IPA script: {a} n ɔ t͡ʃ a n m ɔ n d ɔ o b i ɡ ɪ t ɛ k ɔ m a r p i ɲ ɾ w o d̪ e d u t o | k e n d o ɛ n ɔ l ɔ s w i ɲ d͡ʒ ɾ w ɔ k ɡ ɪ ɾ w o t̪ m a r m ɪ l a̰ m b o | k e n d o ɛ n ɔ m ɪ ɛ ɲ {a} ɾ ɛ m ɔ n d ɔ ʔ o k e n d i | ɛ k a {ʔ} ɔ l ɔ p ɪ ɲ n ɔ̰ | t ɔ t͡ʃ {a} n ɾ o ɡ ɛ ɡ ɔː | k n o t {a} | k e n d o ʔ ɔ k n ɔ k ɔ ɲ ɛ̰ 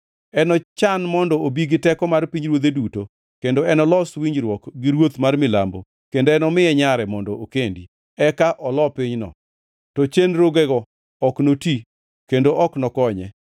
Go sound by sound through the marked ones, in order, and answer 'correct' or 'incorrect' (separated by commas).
incorrect, correct, correct, incorrect, incorrect